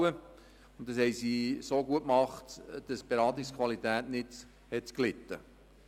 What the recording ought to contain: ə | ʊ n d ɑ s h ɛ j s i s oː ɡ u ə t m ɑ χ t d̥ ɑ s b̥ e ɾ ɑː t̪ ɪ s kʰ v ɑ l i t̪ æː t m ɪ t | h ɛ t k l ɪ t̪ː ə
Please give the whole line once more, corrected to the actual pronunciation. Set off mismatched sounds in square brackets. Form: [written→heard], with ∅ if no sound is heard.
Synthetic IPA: ə | ʊ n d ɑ s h ɛ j s i s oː ɡ u ə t m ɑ χ t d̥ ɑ s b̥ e ɾ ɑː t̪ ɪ s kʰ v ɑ l i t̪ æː t [m→n] ɪ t | h ɛ t k l ɪ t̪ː ə